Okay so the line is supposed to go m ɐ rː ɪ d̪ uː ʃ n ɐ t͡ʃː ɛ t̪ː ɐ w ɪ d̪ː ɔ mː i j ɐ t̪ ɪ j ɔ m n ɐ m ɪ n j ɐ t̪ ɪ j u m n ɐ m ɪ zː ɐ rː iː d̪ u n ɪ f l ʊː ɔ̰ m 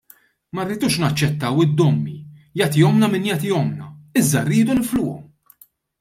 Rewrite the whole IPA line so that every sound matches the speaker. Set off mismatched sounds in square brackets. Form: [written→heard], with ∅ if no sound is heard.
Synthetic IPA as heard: m ɐ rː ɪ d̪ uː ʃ n ɐ t͡ʃː ɛ t̪ː ɐ w ɪ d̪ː ɔ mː i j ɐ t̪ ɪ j ɔ m n ɐ m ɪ n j ɐ t̪ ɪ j [u→ɔ] m n ɐ [m→∅] ɪ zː ɐ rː iː d̪ u n ɪ f l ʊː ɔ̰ m

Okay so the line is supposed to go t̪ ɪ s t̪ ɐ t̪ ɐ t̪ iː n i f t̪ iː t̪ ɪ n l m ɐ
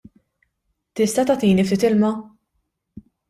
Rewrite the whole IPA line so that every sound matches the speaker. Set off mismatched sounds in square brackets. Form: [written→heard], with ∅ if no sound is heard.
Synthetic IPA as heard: t̪ ɪ s t̪ ɐ t̪ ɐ t̪ iː n i f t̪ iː t̪ ɪ [n→∅] l m ɐ

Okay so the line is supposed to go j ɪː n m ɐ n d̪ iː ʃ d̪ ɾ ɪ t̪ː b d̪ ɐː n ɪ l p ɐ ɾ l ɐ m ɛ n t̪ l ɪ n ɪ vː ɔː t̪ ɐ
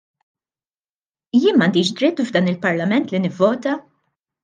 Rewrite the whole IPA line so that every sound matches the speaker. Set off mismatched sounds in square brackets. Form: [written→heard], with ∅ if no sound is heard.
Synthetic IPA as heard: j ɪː n m ɐ n d̪ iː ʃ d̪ ɾ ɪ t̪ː [b→v] d̪ ɐː n ɪ l p ɐ ɾ l ɐ m ɛ n t̪ l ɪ n ɪ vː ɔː t̪ ɐ

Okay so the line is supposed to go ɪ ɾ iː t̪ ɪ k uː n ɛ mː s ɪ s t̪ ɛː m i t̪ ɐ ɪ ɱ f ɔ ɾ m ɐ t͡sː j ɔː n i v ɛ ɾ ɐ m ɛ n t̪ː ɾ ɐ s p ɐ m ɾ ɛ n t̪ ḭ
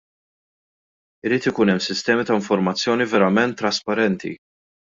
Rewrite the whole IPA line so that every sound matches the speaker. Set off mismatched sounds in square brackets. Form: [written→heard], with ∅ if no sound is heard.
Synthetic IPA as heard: ɪ ɾ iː t̪ ɪ k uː n ɛ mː s ɪ s t̪ ɛː m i t̪ ɐ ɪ ɱ f ɔ ɾ m ɐ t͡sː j ɔː n i v ɛ ɾ ɐ m ɛ n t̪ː ɾ ɐ s p ɐ [m→∅] ɾ ɛ n t̪ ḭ

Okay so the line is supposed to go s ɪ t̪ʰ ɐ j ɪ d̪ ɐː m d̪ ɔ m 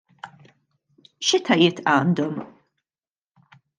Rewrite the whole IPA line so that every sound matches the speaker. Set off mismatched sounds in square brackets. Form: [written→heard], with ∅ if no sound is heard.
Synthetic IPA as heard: [s→ʃ] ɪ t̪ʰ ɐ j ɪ [d̪→t̪] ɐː [m→n] d̪ ɔ m

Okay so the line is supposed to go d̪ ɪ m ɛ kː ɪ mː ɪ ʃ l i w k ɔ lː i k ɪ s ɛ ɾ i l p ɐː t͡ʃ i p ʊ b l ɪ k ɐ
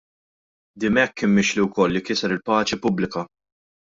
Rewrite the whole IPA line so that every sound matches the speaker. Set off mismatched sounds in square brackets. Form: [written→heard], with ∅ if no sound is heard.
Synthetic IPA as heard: d̪ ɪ m ɛ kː ɪ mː ɪ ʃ l i w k ɔ lː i k ɪ s ɛ ɾ [i→ɪ] l p ɐː t͡ʃ i p ʊ b l ɪ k ɐ

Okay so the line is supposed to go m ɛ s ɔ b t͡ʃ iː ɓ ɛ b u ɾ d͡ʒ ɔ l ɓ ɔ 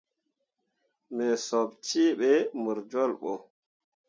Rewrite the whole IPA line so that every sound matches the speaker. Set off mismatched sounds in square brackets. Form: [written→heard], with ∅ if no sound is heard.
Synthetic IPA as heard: m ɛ s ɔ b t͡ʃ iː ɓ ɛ [b→m] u ɾ d͡ʒ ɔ l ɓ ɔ

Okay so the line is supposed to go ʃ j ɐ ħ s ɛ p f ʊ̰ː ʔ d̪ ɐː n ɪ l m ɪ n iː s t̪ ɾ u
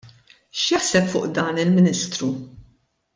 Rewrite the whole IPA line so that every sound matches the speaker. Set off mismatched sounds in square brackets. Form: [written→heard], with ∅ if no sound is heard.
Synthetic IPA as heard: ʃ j ɐ ħ s ɛ p f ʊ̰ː ʔ d̪ ɐː n ɪ l m ɪ n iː s t̪ ɾ u

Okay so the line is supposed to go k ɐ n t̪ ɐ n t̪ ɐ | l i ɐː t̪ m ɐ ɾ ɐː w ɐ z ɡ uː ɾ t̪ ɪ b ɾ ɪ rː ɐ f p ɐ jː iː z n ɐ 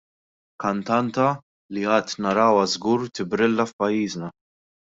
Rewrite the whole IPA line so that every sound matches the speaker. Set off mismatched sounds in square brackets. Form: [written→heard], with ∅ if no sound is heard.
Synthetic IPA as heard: k ɐ n t̪ ɐ n t̪ ɐ | l i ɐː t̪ [m→n] ɐ ɾ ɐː w ɐ z ɡ uː ɾ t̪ ɪ b ɾ ɪ [rː→lː] ɐ f p ɐ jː iː z n ɐ

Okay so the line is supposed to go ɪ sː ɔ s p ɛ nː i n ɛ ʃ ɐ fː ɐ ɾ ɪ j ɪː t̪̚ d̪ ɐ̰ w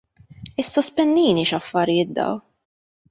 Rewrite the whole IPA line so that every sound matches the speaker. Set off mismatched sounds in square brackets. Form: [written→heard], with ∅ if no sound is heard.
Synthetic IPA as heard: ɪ sː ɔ s p ɛ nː [i→iː] n [ɛ→i] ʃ ɐ fː ɐ ɾ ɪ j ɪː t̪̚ d̪ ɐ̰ w

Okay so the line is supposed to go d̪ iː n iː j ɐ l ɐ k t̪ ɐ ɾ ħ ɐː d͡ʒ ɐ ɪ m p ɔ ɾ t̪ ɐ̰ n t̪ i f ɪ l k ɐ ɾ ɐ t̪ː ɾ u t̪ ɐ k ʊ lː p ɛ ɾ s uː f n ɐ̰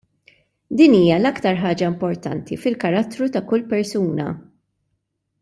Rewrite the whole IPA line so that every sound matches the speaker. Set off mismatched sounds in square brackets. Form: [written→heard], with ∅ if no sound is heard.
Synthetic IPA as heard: d̪ iː n iː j ɐ l ɐ k t̪ ɐ ɾ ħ ɐː d͡ʒ ɐ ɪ m p ɔ ɾ t̪ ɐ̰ n t̪ i f ɪ l k ɐ ɾ ɐ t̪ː ɾ u t̪ ɐ k ʊ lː p ɛ ɾ s uː [f→∅] n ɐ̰

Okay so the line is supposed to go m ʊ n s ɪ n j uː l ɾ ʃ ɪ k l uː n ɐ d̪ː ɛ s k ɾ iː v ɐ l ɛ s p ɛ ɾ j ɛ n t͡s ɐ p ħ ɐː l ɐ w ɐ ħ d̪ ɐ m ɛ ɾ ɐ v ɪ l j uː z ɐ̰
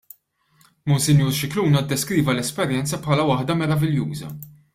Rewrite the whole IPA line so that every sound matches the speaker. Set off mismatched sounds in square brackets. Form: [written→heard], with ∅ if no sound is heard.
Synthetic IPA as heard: m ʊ n s ɪ n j uː [l→∅] ɾ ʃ ɪ k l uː n ɐ d̪ː ɛ s k ɾ iː v ɐ l ɛ s p ɛ ɾ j ɛ n t͡s ɐ p ħ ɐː l ɐ w ɐ ħ d̪ ɐ m ɛ ɾ ɐ v ɪ l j uː z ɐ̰

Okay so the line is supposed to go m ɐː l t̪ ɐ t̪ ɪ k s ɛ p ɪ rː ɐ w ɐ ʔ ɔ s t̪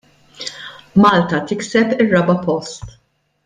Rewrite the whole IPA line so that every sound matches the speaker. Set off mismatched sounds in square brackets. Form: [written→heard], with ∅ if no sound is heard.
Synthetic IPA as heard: m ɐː l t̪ ɐ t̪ ɪ k s ɛ p ɪ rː ɐ [w→b] ɐ [ʔ→p] ɔ s t̪

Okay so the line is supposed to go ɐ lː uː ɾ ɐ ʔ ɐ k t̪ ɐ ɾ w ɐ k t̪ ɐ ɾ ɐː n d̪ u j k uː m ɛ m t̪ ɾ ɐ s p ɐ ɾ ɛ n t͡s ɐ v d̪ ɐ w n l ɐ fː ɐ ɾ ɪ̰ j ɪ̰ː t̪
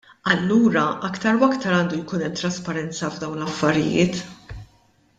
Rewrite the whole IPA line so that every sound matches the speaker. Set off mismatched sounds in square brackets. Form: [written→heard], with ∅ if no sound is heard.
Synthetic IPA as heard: ɐ lː uː ɾ ɐ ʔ ɐ k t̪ ɐ ɾ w ɐ k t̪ ɐ ɾ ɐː n d̪ u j k uː [m→n] ɛ m t̪ ɾ ɐ s p ɐ ɾ ɛ n t͡s ɐ v d̪ ɐ w n l ɐ fː ɐ ɾ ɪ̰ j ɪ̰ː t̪

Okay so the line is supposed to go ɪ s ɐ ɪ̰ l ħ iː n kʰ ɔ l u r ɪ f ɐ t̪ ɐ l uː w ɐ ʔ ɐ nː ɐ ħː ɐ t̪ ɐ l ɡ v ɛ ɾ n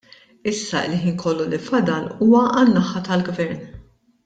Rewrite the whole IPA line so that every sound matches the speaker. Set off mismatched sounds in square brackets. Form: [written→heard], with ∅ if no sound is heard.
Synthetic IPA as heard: ɪ [s→sː] ɐ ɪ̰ l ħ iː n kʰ ɔ [l→lː] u [r→l] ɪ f ɐ [t̪→d̪] ɐ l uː w ɐ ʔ ɐ nː ɐ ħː ɐ t̪ ɐ l ɡ v ɛ ɾ n

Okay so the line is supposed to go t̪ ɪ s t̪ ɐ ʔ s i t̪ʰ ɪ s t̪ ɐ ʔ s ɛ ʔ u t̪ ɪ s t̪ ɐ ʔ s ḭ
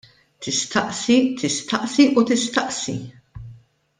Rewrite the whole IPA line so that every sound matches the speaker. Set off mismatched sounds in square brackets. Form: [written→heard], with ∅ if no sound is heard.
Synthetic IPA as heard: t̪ ɪ s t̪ ɐ ʔ s i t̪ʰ ɪ s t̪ ɐ ʔ s [ɛ→i] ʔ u t̪ ɪ s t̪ ɐ ʔ s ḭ

